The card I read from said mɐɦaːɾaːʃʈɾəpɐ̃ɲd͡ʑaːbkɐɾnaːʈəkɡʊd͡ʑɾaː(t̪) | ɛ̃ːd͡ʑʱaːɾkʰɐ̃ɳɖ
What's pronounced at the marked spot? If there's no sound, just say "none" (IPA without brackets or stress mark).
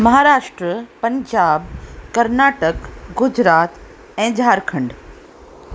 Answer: t̪